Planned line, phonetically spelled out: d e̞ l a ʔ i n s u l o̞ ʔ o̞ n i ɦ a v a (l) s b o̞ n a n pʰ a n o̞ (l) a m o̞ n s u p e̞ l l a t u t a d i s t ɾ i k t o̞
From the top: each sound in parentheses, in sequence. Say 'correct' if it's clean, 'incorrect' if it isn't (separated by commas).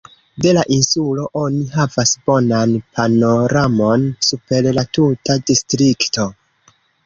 incorrect, incorrect